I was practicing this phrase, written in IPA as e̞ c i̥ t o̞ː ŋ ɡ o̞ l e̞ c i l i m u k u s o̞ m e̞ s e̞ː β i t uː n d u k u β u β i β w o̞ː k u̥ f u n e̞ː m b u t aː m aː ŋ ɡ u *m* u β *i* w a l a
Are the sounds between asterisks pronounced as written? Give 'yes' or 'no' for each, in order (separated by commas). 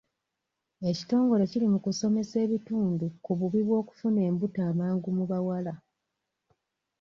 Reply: yes, no